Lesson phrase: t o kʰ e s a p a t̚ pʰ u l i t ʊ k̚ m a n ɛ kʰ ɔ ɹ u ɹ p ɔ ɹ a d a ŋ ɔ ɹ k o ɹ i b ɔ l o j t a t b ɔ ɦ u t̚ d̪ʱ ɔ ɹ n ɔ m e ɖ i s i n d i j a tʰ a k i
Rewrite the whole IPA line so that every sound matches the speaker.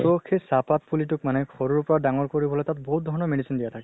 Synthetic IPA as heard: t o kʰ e s a p a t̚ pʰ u l i t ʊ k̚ m a n ɛ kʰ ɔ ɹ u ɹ p ɔ ɹ a d a ŋ ɔ ɹ k o ɹ i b ɔ l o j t a t b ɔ ɦ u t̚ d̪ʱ ɔ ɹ n ɔ m e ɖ i s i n d i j a tʰ a k ɛ